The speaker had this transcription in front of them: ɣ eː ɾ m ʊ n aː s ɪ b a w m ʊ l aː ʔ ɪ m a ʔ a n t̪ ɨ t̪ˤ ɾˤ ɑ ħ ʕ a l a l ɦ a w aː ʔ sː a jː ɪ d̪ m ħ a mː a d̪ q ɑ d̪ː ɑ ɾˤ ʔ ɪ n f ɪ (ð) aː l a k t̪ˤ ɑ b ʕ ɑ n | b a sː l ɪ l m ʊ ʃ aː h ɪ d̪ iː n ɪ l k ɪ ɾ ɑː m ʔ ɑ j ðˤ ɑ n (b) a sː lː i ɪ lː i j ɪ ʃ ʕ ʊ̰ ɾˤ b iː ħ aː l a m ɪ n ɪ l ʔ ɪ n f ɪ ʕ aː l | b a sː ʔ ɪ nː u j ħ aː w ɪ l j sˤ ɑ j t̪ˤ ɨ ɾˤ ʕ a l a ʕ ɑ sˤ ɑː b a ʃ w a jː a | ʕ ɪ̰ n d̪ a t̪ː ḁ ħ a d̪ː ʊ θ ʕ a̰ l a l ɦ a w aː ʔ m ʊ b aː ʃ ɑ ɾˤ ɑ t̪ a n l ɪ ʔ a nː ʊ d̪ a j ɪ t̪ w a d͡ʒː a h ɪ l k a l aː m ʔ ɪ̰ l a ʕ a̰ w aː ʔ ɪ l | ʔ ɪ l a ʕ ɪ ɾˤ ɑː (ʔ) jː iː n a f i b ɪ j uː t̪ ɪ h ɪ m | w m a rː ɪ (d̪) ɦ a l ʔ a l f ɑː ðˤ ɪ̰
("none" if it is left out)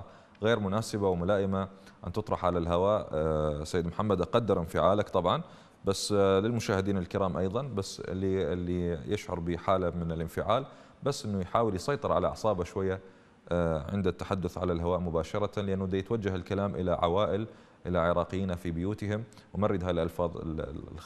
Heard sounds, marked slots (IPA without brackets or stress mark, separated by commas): ʕ, b, q, d̪